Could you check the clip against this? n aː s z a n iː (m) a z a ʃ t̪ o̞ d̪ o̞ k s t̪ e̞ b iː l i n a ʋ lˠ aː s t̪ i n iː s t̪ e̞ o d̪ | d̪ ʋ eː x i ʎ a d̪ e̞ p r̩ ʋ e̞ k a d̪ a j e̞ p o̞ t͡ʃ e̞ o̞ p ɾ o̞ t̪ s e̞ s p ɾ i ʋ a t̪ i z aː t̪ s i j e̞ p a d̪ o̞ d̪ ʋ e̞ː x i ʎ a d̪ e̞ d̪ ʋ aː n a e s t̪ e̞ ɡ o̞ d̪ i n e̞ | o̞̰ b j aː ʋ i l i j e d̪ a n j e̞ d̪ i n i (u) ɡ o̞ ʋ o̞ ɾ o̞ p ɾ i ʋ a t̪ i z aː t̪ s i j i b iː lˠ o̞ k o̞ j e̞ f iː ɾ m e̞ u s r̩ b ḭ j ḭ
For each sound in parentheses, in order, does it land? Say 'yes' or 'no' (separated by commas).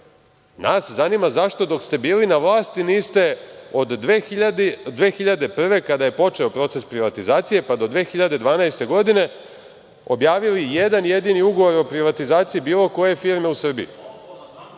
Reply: yes, yes